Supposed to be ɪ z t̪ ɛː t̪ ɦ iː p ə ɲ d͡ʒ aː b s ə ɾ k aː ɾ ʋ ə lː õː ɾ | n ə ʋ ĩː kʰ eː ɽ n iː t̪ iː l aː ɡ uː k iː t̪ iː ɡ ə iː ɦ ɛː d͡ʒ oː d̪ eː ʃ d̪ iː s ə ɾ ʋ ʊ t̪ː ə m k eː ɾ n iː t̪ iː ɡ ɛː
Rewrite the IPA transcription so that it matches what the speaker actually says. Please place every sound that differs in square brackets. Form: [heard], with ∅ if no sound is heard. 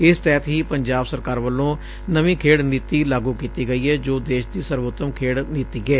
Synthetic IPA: ɪ [s] t̪ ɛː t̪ ɦ iː p ə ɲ d͡ʒ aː b s ə ɾ k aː ɾ ʋ ə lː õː [∅] | n ə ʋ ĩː kʰ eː ɽ n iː t̪ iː l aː ɡ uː k iː t̪ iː ɡ ə iː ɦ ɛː d͡ʒ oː d̪ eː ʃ d̪ iː s ə ɾ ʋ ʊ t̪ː ə m [kʰ] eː [ɽ] n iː t̪ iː ɡ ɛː